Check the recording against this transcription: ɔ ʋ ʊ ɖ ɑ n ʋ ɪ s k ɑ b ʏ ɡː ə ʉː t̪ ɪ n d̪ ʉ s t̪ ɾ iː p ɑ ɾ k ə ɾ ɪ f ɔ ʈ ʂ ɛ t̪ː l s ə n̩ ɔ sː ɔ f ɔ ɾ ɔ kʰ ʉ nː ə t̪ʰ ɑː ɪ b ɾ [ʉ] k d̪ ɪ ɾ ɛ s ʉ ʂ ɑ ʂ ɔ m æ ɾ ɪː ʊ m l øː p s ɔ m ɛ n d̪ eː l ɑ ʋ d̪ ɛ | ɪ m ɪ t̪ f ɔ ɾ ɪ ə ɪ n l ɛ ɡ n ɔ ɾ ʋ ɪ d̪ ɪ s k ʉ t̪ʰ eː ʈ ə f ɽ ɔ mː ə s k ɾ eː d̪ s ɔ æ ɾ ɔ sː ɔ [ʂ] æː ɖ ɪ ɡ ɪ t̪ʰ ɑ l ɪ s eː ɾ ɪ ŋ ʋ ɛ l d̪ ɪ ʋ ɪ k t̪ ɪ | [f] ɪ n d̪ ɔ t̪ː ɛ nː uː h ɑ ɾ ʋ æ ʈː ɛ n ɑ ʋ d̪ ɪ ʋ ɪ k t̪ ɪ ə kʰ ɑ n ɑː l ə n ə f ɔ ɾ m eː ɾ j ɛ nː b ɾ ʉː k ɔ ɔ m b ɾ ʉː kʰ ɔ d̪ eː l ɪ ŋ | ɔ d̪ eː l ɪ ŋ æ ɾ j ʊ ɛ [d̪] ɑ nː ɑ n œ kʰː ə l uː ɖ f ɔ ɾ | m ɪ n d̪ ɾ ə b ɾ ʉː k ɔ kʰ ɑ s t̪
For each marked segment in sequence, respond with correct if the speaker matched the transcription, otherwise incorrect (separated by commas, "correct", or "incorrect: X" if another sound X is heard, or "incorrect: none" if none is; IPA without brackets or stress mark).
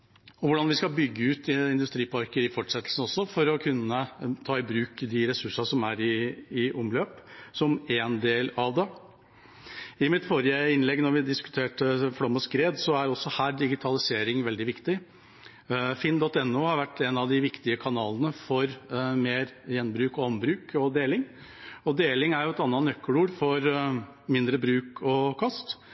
incorrect: ʉː, incorrect: h, correct, incorrect: t̪